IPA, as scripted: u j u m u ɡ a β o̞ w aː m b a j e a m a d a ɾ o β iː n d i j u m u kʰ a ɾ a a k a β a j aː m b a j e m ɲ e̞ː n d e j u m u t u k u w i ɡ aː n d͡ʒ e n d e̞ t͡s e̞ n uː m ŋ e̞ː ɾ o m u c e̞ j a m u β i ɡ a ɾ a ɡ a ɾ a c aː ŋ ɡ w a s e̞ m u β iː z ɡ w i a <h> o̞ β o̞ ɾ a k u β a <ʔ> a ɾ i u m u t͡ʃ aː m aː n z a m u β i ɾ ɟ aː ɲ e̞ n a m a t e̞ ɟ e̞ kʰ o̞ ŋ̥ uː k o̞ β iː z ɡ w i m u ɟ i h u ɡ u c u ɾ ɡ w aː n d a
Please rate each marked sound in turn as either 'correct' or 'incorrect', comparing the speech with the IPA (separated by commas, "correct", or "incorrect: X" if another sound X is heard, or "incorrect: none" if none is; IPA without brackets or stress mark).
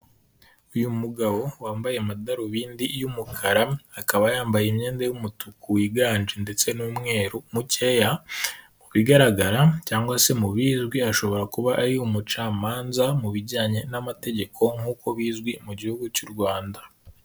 incorrect: ʃ, correct